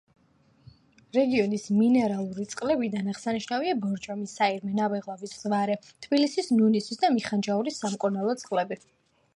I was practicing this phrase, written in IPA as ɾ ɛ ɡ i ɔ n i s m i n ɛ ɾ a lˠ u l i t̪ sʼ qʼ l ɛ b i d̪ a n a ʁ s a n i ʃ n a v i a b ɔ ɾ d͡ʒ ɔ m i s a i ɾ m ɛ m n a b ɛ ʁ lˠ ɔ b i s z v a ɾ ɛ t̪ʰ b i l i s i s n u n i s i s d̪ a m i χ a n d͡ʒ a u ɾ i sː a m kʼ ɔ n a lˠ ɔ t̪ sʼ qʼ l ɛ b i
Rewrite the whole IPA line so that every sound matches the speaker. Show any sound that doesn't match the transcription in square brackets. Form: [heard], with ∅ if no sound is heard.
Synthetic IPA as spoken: ɾ ɛ ɡ i ɔ n i s m i n ɛ ɾ a lˠ u [ɾ] i t̪ sʼ qʼ l ɛ b i d̪ a n a ʁ s a n i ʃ n a v i a b ɔ ɾ d͡ʒ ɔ m i s a i ɾ m ɛ [∅] n a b ɛ ʁ lˠ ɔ [v] i s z v a ɾ ɛ t̪ʰ b i l i s i s n u n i s i s d̪ a m i χ a n d͡ʒ a u ɾ i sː a m kʼ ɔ n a lˠ ɔ t̪ sʼ qʼ l ɛ b i

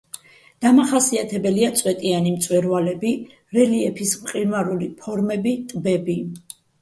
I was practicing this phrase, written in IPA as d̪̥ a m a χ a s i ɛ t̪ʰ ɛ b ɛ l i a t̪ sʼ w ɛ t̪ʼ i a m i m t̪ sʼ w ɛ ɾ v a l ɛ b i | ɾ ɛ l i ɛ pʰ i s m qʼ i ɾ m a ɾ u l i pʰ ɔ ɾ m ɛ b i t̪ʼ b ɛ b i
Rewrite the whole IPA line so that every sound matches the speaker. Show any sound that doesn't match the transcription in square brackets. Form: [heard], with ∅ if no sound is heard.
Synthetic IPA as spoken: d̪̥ a m a χ a s i [a] t̪ʰ ɛ b ɛ l i a t̪ sʼ w ɛ t̪ʼ i a [n] i m t̪ sʼ w ɛ ɾ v a l ɛ b i | ɾ ɛ l i ɛ pʰ i s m qʼ i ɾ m a ɾ u l i pʰ ɔ ɾ m ɛ b i t̪ʼ b ɛ b i

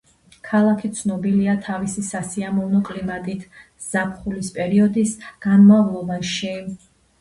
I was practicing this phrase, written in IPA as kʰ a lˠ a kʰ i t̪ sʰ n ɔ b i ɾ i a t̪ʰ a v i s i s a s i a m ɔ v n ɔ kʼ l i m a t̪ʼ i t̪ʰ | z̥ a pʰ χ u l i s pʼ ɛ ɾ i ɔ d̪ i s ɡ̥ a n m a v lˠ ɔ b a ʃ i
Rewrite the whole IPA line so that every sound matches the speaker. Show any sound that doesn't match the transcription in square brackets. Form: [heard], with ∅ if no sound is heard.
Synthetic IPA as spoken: kʰ a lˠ a kʰ i t̪ sʰ n ɔ b i [l] i a t̪ʰ a v i s i s a s i a m ɔ v n ɔ kʼ l i m a t̪ʼ i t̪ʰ | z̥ a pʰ χ u l i s pʼ ɛ ɾ i ɔ d̪ i s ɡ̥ a n m a v lˠ ɔ b a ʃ i

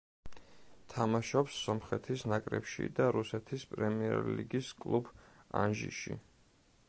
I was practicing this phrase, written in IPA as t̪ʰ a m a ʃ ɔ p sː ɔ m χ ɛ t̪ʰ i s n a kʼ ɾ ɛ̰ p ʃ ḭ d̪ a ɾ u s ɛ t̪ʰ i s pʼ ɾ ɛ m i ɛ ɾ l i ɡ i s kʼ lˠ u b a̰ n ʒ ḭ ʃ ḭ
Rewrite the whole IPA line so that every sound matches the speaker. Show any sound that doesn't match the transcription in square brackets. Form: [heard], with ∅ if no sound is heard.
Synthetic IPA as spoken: t̪ʰ a m a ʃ ɔ p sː ɔ m χ ɛ t̪ʰ i s n a kʼ ɾ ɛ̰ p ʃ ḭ d̪ a ɾ u s ɛ t̪ʰ i s pʼ ɾ ɛ m i ɛ ɾ l i ɡ i s kʼ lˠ u b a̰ n ʒ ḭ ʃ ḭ

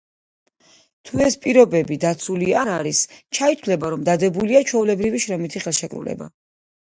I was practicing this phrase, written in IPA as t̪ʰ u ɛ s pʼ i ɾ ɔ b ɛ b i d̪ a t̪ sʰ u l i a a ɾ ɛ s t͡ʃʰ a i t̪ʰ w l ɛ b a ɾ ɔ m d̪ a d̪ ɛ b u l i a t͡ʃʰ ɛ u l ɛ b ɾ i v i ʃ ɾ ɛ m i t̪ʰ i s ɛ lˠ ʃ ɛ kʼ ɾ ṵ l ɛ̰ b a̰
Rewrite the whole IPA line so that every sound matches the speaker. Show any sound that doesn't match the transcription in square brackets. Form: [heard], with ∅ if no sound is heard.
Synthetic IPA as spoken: t̪ʰ u ɛ s pʼ i ɾ ɔ b ɛ b i d̪ a t̪ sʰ u l i a a ɾ [i] s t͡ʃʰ a i t̪ʰ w l ɛ b a ɾ ɔ m d̪ a d̪ ɛ b u l i a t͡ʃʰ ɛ u l ɛ b ɾ i v i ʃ ɾ ɛ m i t̪ʰ i [χ] ɛ lˠ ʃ ɛ kʼ ɾ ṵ l ɛ̰ b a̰

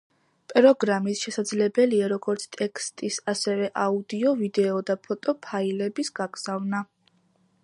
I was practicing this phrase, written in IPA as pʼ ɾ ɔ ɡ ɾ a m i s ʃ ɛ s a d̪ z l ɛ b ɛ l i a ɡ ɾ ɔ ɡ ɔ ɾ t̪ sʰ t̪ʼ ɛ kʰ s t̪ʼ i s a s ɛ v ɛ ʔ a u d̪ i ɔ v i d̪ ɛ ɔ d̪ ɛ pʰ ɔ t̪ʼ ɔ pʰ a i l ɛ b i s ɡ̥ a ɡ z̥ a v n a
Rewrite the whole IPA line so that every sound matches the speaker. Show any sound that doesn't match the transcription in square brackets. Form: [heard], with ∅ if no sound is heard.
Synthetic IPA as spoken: pʼ ɾ ɔ ɡ ɾ a m i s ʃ ɛ s a d̪ z l ɛ b ɛ l i a [∅] ɾ ɔ ɡ ɔ ɾ t̪ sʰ t̪ʼ ɛ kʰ s t̪ʼ i s a s ɛ v ɛ ʔ a u d̪ i ɔ v i d̪ ɛ ɔ d̪ [a] pʰ ɔ t̪ʼ ɔ pʰ a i l ɛ b i s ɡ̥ a ɡ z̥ a v n a

